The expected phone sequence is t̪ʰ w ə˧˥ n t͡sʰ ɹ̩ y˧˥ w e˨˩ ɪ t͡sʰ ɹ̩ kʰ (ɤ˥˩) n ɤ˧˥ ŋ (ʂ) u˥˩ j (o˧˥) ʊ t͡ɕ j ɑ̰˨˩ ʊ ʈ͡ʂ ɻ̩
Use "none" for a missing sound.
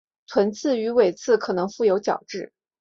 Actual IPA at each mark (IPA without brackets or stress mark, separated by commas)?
ɤ˨˩, f, o˧˥